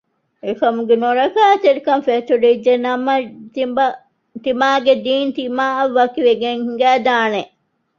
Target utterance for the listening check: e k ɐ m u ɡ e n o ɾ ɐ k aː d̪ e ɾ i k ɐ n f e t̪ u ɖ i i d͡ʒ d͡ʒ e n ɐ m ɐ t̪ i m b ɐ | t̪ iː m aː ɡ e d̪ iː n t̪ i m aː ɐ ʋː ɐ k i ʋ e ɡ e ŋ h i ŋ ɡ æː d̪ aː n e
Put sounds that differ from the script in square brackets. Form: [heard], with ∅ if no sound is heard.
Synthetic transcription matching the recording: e k ɐ m u ɡ e n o ɾ ɐ k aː [t̪] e ɾ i k ɐ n f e t̪ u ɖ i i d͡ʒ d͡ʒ e n ɐ m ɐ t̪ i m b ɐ | t̪ [i] m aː ɡ e d̪ iː n t̪ i m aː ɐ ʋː ɐ k i ʋ e ɡ e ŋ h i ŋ ɡ æː d̪ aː n e